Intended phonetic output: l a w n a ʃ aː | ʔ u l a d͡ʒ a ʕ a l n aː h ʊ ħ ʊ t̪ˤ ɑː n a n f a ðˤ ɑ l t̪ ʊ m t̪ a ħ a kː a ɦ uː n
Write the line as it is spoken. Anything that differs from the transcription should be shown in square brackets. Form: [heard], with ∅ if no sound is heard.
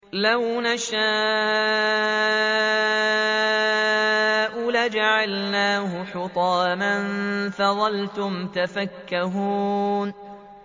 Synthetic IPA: l a w n a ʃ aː | ʔ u l a d͡ʒ a ʕ a l n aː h ʊ ħ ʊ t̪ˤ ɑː [m] a n f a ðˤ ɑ l t̪ ʊ m t̪ a [f] a kː a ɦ uː n